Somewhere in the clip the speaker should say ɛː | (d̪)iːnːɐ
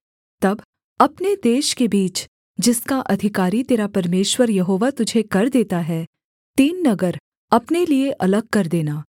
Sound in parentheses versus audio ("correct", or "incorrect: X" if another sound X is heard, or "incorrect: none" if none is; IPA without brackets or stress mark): incorrect: t̪